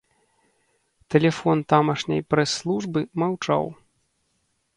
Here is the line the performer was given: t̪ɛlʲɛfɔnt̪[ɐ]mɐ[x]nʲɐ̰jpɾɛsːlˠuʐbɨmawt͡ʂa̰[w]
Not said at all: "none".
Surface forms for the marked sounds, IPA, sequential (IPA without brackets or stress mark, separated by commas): a, ʂ, w